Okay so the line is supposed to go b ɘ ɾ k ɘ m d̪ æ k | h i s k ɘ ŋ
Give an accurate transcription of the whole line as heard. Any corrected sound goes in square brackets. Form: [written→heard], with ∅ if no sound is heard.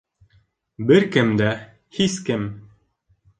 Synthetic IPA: b ɘ ɾ k ɘ m d̪ æ [k→∅] | h i s k ɘ [ŋ→m]

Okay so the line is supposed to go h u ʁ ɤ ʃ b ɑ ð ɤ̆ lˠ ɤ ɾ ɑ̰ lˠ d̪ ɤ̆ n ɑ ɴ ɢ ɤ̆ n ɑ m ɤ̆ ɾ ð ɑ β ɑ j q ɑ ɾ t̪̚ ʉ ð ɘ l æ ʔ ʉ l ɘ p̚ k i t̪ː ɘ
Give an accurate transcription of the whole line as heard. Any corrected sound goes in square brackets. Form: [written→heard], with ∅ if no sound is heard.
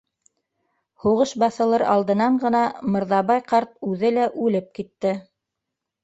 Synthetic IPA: h u ʁ ɤ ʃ b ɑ [ð→θ] ɤ̆ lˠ ɤ ɾ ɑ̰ lˠ d̪ ɤ̆ n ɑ ɴ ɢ ɤ̆ n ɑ m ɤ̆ ɾ ð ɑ β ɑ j q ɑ ɾ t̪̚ ʉ ð ɘ l æ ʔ ʉ l ɘ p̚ k i t̪ː ɘ

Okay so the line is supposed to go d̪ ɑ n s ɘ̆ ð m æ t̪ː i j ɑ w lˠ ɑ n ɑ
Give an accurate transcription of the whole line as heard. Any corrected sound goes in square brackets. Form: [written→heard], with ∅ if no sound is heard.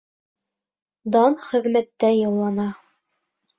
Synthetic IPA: d̪ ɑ n [s→χ] ɘ̆ ð m æ t̪ː [i→æ] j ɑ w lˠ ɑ n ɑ

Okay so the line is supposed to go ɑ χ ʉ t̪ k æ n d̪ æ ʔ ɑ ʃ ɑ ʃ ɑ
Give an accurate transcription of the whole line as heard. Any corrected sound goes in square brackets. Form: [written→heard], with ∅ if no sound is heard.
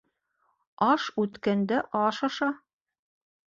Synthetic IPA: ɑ [χ→ʃ] ʉ t̪ k æ n d̪ æ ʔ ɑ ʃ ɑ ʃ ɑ

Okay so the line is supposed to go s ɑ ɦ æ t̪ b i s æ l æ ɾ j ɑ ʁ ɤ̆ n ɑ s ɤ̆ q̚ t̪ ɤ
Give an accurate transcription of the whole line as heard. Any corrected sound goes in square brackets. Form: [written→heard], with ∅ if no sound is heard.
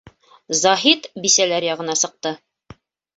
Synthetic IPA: [s→z] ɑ ɦ [æ→i] t̪ b i s æ l æ ɾ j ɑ ʁ ɤ̆ n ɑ s ɤ̆ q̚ t̪ ɤ

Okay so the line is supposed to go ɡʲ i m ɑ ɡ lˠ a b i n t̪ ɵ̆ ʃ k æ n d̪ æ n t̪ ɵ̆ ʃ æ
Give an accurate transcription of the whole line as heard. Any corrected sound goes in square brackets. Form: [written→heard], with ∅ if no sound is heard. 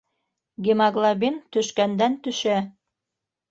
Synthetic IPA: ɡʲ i m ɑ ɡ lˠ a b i n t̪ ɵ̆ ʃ k æ n d̪ æ n t̪ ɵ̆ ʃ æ

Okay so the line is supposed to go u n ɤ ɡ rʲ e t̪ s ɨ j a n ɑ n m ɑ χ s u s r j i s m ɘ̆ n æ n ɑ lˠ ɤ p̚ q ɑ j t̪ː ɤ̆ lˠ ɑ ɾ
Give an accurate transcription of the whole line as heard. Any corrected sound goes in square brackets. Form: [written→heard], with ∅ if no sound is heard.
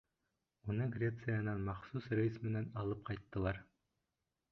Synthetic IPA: u n ɤ ɡ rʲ e t̪ s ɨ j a n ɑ n m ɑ χ s u s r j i s m ɘ̆ n æ n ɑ lˠ ɤ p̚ q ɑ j t̪ː ɤ̆ lˠ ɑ ɾ

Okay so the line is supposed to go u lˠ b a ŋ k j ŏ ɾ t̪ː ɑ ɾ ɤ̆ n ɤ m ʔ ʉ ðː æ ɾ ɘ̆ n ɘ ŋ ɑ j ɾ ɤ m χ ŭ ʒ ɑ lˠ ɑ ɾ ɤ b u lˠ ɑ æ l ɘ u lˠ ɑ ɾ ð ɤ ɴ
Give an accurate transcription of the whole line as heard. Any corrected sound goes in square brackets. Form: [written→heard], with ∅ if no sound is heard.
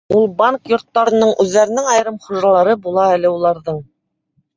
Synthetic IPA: u lˠ b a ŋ k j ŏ ɾ t̪ː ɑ ɾ ɤ̆ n ɤ [m→ɴ] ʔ ʉ ðː æ ɾ ɘ̆ n ɘ ŋ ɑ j ɾ ɤ m χ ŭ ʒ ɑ lˠ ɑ ɾ ɤ b u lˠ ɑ æ l ɘ u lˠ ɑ ɾ ð ɤ ɴ

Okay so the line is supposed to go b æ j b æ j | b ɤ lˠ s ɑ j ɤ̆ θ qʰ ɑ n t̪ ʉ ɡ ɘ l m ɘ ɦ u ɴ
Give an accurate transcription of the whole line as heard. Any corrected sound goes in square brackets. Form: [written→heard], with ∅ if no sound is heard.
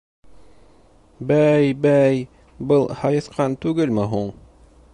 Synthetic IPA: b æ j b æ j | b ɤ lˠ [s→h] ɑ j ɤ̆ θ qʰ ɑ n t̪ ʉ ɡ ɘ l m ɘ ɦ u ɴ

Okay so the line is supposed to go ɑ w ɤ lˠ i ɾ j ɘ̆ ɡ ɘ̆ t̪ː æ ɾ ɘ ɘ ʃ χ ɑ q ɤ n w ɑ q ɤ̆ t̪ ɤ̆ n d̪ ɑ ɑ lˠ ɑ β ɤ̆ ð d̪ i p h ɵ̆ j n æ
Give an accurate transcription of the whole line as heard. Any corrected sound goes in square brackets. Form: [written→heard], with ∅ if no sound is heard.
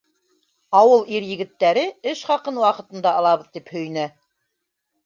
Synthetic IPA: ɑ w ɤ lˠ i ɾ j ɘ̆ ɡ ɘ̆ t̪ː æ ɾ ɘ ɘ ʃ χ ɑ q ɤ n w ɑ q ɤ̆ t̪ ɤ̆ n d̪ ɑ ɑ lˠ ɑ β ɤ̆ ð [d̪→t̪] i p h ɵ̆ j n æ

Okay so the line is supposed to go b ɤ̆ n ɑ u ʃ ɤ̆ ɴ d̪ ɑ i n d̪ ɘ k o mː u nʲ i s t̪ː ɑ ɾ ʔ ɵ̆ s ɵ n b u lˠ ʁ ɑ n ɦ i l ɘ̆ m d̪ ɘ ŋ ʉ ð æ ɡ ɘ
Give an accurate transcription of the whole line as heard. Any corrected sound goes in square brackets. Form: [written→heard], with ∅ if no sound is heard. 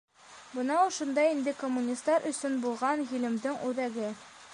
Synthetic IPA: b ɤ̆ n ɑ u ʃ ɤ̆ [ɴ→n] d̪ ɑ i n d̪ ɘ k o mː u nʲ i s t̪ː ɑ ɾ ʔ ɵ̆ s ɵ n b u lˠ ʁ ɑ n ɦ i l ɘ̆ m d̪ ɘ ŋ ʉ ð æ ɡ ɘ

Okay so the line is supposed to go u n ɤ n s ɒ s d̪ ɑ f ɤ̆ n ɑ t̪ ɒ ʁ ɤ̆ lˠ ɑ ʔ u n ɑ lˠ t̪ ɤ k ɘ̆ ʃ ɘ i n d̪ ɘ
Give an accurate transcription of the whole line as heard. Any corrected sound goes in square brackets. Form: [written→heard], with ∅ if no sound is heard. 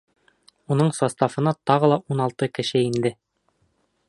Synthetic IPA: u n ɤ [n→ɴ] s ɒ s [d̪→t̪] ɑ f ɤ̆ n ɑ t̪ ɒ ʁ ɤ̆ lˠ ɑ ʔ u n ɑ lˠ t̪ ɤ k ɘ̆ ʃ ɘ i n d̪ ɘ

